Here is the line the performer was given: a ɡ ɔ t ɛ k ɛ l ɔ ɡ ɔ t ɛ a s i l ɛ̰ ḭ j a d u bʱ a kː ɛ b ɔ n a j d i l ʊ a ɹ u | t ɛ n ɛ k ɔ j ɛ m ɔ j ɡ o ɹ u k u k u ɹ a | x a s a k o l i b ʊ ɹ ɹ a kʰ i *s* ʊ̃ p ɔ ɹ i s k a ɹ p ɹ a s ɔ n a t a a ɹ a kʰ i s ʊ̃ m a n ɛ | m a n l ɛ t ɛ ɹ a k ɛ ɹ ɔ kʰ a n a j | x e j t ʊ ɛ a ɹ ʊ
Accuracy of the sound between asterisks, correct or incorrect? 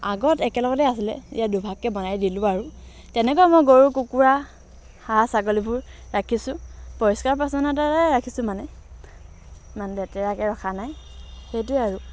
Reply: correct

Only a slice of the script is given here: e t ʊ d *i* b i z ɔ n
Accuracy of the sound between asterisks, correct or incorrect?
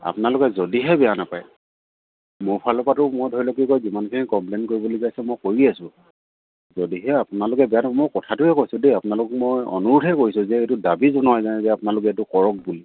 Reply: incorrect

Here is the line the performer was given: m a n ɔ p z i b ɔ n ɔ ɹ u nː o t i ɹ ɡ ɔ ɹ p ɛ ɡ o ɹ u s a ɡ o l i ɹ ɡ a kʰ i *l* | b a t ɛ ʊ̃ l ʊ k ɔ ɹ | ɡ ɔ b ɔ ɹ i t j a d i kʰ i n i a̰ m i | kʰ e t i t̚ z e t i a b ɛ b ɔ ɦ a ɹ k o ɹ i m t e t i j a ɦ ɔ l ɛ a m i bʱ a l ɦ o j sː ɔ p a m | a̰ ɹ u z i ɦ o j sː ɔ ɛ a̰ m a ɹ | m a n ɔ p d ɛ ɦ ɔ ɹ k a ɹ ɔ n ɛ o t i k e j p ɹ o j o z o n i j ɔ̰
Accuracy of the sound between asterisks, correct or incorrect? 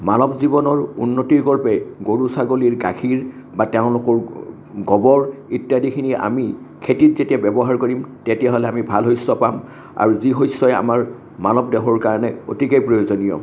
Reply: incorrect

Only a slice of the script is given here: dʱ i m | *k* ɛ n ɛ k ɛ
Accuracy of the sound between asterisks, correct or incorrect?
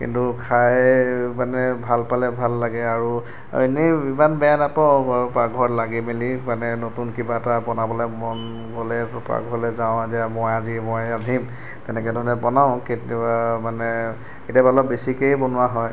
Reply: incorrect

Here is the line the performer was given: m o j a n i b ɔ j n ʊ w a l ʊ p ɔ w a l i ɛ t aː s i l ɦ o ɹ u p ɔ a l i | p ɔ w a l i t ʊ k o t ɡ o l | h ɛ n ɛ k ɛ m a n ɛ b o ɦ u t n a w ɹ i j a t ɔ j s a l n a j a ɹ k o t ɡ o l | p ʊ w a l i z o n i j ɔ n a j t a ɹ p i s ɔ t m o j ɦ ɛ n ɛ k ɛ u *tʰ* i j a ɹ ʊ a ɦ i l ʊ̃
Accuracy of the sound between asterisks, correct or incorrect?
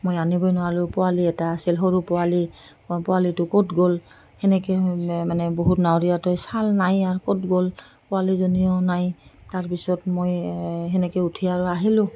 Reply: correct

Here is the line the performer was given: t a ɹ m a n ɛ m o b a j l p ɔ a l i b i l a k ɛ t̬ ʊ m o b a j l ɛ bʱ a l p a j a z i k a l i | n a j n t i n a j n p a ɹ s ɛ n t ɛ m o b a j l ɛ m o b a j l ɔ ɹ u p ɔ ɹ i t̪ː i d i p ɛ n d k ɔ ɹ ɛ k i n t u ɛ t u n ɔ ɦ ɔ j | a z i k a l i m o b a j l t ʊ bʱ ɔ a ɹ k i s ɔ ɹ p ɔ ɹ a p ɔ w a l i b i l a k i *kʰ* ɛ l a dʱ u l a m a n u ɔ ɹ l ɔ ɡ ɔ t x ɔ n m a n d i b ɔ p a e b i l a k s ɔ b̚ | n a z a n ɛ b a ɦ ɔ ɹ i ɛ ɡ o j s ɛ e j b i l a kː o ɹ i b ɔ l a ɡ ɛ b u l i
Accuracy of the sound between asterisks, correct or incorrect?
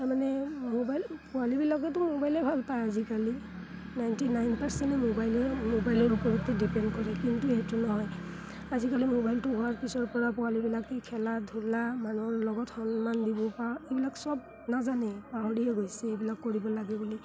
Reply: correct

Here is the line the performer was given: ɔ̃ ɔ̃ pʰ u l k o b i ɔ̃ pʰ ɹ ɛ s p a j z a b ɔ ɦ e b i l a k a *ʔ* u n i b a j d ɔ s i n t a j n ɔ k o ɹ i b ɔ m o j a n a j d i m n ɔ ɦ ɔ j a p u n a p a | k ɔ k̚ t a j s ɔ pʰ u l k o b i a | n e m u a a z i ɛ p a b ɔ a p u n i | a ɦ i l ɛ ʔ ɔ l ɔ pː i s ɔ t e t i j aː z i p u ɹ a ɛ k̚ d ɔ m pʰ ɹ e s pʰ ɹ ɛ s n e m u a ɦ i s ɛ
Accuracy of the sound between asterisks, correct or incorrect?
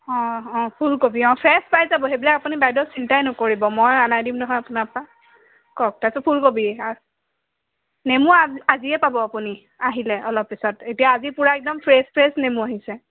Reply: incorrect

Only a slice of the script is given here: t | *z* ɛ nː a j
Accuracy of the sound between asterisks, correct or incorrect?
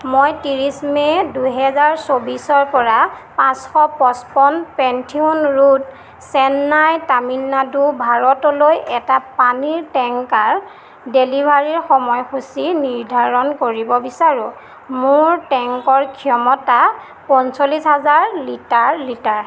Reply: incorrect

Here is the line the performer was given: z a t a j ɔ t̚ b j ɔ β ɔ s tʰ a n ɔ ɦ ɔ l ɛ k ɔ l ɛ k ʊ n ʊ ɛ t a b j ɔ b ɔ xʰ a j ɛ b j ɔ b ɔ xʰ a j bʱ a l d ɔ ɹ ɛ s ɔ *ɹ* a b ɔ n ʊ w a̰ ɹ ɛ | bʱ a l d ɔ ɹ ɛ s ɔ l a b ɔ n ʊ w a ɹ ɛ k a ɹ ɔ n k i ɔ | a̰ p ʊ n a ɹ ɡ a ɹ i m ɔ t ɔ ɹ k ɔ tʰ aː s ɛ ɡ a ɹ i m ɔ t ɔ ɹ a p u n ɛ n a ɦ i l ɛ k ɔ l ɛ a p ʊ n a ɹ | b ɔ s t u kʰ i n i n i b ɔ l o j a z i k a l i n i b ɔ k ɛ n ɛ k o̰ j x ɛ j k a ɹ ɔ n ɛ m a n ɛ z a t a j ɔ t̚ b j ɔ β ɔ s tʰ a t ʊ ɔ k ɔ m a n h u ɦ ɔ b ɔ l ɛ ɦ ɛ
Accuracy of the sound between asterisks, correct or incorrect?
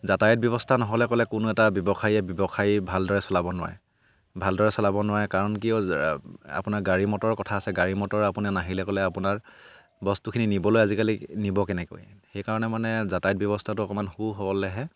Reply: incorrect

